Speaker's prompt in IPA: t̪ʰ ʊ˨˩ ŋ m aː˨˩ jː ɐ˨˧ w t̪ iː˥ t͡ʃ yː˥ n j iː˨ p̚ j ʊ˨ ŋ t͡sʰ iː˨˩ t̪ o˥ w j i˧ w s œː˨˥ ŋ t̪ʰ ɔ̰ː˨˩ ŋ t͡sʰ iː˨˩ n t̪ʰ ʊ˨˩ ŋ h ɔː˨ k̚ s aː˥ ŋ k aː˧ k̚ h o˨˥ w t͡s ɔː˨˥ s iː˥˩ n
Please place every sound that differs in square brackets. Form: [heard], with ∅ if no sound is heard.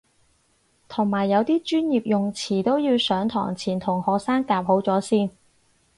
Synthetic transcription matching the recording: t̪ʰ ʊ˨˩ ŋ m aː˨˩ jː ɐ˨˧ w t̪ iː˥ t͡ʃ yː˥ n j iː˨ p̚ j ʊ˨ ŋ t͡sʰ iː˨˩ t̪ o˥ w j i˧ w s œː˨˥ ŋ t̪ʰ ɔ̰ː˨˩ ŋ t͡sʰ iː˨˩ n t̪ʰ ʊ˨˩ ŋ h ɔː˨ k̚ s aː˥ ŋ k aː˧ [p̚] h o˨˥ w t͡s ɔː˨˥ s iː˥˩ n